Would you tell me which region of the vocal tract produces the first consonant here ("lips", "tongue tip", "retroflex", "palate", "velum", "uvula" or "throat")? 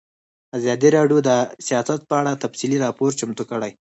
tongue tip